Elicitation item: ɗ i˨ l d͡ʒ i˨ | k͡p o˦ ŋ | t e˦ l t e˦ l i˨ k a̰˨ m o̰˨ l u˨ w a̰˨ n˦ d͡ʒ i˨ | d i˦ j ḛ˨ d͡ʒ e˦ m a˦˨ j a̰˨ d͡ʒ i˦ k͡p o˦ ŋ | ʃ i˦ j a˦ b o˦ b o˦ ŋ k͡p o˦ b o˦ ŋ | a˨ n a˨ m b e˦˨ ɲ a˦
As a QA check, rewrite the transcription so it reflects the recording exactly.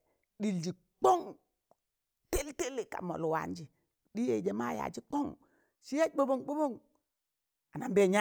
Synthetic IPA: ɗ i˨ l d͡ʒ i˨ | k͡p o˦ ŋ | t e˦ l t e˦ l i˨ k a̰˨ m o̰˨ l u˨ w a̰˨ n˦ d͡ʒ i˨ | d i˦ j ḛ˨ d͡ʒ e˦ m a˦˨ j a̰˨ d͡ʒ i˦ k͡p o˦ ŋ | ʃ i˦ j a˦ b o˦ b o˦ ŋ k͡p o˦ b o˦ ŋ | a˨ n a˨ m b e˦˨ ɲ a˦